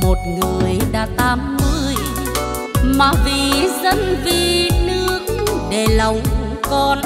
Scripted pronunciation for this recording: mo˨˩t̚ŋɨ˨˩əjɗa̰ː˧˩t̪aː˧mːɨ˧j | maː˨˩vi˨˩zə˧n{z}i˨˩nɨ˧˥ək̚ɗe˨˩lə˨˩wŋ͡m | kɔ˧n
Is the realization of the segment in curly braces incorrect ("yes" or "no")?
yes